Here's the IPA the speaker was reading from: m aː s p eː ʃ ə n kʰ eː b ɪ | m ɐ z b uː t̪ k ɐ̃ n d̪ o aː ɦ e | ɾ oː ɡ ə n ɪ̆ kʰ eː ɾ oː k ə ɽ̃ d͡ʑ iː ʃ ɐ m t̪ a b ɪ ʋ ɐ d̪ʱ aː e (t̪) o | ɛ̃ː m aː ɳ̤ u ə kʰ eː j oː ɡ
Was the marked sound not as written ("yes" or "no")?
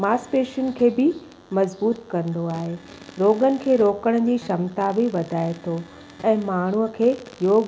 yes